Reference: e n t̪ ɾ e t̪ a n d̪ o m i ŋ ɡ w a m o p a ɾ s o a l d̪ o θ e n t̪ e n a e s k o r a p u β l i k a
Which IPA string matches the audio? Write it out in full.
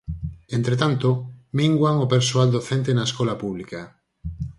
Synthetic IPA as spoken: e n t̪ ɾ e t̪ a n t̪ o m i ŋ ɡ w a ŋ o p e ɾ s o a l d̪ o θ e n t̪ e n a e s k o l a p u β l i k a